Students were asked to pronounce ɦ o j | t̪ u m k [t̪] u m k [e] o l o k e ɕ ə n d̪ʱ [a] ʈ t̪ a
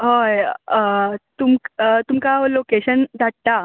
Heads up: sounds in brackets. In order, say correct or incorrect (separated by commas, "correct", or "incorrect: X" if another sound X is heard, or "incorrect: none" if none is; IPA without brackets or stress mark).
correct, incorrect: a, correct